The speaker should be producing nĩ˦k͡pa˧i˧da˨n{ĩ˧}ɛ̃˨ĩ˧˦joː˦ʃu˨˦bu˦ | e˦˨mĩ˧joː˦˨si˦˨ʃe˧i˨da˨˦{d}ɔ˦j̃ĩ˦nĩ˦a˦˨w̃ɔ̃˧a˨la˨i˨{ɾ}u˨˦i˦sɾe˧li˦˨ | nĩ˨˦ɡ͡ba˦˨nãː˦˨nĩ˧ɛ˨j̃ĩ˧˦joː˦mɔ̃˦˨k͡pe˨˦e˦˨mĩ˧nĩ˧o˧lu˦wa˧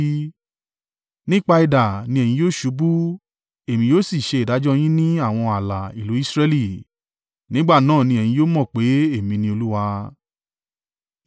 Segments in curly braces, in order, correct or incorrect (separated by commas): correct, incorrect, incorrect